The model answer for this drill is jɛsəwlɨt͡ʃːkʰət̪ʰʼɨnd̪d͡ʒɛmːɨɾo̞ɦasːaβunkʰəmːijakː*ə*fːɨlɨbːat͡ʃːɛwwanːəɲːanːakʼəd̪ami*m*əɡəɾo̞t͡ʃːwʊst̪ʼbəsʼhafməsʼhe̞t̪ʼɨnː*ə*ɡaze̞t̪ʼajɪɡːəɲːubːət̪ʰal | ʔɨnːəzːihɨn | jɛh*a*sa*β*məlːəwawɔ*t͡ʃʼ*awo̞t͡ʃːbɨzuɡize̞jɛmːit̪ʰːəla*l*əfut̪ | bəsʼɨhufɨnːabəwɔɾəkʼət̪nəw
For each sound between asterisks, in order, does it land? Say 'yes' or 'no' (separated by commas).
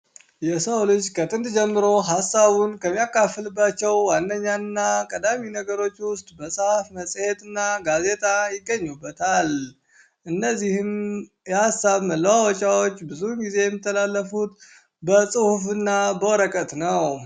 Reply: no, no, no, yes, yes, yes, no